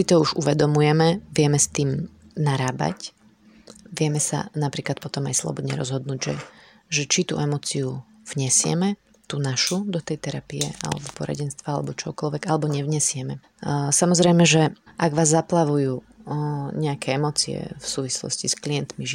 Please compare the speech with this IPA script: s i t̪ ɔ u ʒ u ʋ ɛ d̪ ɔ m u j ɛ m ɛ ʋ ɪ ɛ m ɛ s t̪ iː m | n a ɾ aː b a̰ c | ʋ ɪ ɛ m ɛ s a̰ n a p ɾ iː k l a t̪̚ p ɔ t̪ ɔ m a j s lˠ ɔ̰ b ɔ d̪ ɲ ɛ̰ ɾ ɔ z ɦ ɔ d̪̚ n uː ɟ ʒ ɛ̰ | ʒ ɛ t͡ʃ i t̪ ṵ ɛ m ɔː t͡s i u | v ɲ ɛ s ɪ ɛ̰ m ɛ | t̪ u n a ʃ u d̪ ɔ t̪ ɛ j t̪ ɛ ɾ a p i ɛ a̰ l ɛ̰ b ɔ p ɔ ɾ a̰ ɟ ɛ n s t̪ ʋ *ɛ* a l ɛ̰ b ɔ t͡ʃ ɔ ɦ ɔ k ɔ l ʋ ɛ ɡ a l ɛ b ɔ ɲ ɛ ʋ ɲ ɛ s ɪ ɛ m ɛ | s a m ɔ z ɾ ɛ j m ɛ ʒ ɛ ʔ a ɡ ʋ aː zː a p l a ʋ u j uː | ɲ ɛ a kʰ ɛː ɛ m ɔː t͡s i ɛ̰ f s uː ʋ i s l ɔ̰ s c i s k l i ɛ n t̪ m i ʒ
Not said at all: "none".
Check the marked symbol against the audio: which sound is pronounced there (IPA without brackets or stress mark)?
a